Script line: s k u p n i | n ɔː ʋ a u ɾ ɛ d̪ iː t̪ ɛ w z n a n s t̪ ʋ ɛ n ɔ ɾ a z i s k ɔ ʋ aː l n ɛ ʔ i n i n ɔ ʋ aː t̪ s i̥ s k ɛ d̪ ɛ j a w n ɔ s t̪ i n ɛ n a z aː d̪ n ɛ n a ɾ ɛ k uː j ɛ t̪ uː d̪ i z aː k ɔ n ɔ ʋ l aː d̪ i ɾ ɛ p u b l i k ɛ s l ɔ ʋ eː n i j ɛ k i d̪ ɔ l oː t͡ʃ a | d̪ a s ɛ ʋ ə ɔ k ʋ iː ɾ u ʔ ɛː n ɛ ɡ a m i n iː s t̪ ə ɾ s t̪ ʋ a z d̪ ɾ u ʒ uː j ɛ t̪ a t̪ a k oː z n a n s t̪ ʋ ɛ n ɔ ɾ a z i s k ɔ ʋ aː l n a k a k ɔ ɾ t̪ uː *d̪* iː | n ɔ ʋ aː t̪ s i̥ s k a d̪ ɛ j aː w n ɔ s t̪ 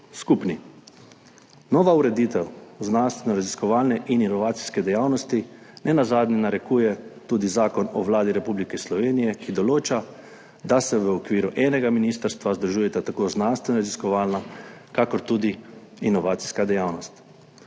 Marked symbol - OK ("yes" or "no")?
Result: yes